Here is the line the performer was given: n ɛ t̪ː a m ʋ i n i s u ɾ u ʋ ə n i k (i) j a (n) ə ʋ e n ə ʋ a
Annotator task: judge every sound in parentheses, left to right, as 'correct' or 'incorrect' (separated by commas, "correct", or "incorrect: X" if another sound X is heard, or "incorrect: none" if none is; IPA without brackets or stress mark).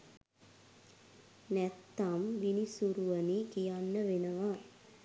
correct, incorrect: nː